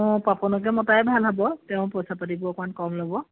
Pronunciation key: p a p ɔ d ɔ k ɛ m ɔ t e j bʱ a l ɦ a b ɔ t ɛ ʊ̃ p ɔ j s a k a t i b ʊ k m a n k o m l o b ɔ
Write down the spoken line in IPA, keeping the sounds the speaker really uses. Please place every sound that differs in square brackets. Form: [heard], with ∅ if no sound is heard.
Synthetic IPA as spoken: p a p ɔ [n] ɔ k ɛ m ɔ t [a] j bʱ a l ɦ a b ɔ t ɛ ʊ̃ p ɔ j s a [p] a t i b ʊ k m a n k [ɔ] m l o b ɔ